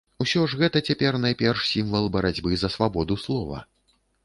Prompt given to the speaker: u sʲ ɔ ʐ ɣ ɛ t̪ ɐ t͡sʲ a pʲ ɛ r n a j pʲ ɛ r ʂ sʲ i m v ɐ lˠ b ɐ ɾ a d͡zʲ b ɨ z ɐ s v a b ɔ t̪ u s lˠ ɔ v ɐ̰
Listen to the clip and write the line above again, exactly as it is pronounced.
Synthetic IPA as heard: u sʲ ɔ ʐ ɣ ɛ t̪ ɐ t͡sʲ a pʲ ɛ r n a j pʲ ɛ r ʂ sʲ i m v ɐ lˠ b ɐ ɾ a d͡zʲ b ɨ z ɐ s v a b ɔ d̪ u s lˠ ɔ v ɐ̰